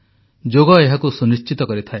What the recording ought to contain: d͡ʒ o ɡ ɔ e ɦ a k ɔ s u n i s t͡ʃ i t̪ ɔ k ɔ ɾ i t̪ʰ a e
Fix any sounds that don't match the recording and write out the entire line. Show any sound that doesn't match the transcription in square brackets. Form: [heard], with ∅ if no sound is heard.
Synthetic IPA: d͡ʒ o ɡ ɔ e ɦ a k [u] s u n i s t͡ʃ i t̪ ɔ k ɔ ɾ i t̪ʰ a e